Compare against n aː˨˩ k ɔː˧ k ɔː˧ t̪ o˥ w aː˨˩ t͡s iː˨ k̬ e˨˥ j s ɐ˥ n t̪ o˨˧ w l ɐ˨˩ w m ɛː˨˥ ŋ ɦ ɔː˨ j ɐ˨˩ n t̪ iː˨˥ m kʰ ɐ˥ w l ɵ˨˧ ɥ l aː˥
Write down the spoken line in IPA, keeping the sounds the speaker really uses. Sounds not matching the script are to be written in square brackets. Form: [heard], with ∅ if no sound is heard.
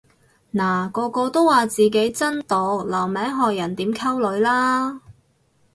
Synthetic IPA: n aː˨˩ k ɔː˧ k ɔː˧ t̪ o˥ w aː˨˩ t͡s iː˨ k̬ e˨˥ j [t͡s] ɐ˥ n t̪ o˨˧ w l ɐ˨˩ w m ɛː˨˥ ŋ ɦ ɔː˨ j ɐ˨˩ n t̪ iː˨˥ m kʰ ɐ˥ w l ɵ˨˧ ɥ l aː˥